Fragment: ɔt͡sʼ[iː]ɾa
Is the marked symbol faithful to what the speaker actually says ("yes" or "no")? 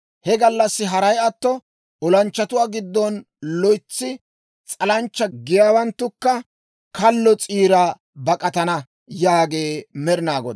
yes